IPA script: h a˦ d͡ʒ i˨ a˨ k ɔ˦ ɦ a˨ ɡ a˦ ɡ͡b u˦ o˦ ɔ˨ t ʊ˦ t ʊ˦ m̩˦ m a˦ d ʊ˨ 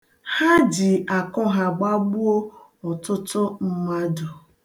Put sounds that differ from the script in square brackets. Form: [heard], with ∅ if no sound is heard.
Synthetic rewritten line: h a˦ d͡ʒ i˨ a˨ k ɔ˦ ɦ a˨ [ɡ͡b] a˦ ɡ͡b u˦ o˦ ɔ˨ t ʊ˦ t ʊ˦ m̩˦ m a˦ d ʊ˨